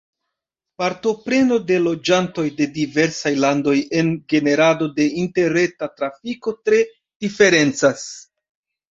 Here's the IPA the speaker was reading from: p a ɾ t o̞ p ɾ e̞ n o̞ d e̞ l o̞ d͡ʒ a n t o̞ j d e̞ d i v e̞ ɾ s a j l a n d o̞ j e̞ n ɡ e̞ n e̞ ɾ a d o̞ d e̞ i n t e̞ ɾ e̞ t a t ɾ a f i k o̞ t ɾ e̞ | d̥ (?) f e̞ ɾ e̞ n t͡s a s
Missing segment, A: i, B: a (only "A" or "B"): A